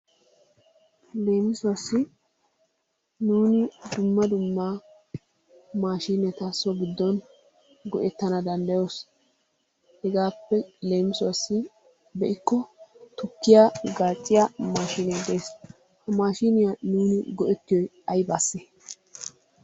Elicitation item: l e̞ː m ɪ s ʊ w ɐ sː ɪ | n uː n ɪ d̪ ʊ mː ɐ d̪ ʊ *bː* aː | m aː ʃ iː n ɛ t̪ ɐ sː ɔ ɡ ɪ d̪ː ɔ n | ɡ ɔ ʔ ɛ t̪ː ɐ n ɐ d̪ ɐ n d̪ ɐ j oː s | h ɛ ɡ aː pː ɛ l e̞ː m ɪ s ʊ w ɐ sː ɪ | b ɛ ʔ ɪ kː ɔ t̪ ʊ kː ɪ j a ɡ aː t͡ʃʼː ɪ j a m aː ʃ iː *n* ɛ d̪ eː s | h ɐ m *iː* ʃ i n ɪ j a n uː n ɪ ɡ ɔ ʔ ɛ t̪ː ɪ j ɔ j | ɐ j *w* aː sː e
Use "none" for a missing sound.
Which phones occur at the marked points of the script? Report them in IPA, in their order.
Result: mː, n, aː, b

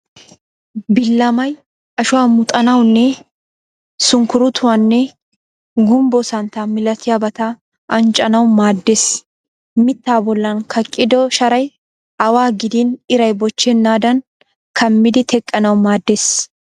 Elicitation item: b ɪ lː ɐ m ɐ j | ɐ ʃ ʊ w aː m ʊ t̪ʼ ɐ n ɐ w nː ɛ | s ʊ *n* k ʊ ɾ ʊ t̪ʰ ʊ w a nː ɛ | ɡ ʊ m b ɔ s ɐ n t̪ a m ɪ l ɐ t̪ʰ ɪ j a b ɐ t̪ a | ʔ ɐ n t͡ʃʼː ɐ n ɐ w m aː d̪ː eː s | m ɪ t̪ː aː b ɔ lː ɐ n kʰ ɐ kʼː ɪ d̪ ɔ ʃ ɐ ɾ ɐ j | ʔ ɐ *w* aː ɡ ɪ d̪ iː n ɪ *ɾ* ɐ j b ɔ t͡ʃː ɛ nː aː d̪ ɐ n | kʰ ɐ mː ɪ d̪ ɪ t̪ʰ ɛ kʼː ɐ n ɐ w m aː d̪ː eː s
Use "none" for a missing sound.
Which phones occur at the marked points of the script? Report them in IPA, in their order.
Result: ŋ, w, ɾ

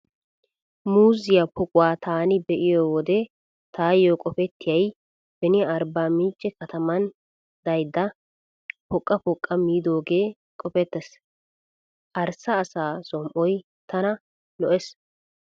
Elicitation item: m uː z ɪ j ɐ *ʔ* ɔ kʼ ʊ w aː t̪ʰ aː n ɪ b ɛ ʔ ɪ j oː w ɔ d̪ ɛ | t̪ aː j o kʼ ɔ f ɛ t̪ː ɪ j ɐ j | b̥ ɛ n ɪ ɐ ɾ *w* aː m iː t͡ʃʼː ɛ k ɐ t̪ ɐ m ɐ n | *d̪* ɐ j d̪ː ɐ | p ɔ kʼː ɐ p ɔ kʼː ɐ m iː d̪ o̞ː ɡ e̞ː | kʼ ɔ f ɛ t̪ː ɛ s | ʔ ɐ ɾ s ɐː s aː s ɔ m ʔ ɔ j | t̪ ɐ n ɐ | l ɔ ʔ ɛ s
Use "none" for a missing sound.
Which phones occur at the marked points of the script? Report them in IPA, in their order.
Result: p, b, d̪

